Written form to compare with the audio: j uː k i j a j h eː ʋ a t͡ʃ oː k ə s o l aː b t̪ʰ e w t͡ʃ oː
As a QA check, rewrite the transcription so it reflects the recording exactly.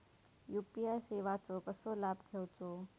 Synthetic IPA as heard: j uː p i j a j s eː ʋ a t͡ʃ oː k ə s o l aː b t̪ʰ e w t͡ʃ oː